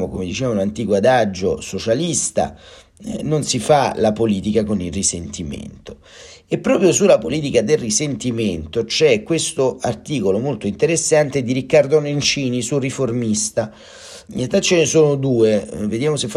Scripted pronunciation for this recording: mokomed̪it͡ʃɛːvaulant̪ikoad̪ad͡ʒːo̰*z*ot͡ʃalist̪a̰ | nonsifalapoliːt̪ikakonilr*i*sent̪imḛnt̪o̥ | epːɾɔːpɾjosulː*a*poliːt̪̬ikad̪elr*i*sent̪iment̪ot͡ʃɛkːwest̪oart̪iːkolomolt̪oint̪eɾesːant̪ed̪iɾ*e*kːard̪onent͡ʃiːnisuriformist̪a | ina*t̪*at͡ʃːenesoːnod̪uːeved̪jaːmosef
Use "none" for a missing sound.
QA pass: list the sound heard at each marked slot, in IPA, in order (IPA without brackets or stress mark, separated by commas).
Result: s, i, a, i, i, t̪